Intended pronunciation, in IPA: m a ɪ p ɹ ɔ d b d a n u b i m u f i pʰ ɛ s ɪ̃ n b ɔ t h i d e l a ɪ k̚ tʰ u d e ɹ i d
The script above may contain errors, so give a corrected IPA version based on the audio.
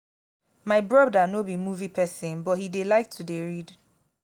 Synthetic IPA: m a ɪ b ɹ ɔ b d a n o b i m u v i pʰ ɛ s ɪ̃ n b ɔ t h i d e l a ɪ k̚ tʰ u d e ɹ i d